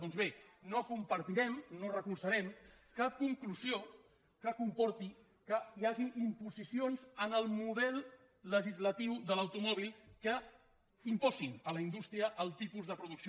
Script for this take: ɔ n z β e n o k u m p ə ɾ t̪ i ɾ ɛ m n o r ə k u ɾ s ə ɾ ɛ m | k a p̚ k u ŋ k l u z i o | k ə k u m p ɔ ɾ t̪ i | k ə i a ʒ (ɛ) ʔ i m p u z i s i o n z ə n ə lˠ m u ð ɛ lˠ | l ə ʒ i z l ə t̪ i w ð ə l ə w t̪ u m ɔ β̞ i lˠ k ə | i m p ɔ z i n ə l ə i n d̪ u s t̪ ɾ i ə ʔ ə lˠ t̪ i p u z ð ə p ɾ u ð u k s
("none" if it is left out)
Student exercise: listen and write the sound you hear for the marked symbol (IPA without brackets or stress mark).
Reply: i